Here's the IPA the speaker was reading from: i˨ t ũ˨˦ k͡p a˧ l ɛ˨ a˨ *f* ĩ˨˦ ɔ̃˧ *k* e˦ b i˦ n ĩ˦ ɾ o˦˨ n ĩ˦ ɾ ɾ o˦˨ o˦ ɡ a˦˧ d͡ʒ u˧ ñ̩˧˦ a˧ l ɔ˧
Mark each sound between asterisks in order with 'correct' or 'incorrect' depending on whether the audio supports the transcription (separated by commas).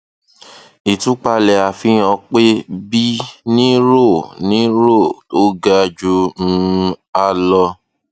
correct, incorrect